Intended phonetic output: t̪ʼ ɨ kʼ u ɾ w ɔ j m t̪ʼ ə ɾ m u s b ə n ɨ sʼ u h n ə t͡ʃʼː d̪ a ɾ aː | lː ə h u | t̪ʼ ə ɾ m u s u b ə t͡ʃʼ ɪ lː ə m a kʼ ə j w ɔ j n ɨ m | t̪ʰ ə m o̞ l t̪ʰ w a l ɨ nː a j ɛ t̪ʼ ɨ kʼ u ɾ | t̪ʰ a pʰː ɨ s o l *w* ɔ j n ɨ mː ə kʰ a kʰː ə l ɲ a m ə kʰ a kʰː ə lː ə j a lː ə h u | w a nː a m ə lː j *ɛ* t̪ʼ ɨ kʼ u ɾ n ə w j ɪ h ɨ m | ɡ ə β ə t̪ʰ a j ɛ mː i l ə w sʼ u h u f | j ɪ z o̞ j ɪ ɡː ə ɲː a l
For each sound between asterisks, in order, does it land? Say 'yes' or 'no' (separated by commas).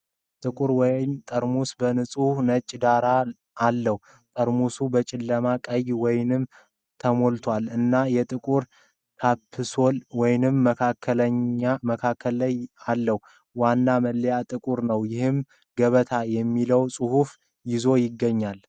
yes, no